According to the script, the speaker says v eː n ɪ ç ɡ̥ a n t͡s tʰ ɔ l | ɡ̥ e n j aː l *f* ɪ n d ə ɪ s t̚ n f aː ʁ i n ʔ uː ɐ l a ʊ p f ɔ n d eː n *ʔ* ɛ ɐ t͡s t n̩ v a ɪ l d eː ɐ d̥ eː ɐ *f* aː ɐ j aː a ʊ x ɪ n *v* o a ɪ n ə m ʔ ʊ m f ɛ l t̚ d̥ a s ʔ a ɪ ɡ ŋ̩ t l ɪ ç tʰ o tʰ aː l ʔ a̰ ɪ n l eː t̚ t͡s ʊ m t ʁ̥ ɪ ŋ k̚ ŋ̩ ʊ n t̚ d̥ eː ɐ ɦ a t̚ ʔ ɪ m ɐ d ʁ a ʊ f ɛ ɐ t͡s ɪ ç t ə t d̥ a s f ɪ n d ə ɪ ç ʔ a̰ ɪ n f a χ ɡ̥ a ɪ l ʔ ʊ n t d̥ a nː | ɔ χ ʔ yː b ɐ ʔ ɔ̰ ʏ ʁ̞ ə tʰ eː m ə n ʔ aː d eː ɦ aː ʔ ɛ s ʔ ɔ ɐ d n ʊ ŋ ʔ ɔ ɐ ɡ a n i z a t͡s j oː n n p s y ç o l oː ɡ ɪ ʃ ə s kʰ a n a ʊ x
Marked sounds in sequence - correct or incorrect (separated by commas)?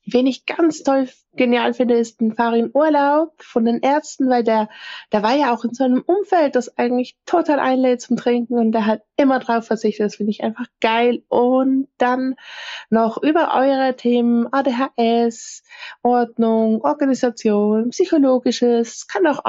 correct, correct, incorrect, incorrect